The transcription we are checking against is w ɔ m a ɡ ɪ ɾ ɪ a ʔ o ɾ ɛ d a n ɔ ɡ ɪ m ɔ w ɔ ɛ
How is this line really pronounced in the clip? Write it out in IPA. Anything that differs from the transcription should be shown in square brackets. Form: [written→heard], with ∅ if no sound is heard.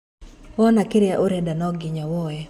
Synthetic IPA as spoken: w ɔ [m→n] a [ɡ→k] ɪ ɾ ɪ a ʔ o ɾ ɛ d a n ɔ ɡ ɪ [m→ɲ] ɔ w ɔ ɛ